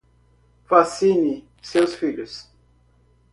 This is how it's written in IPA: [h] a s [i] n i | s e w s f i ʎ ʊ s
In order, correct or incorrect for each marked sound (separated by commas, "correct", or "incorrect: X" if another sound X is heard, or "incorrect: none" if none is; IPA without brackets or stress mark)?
incorrect: f, correct